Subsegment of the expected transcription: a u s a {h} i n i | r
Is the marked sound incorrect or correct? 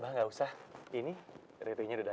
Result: correct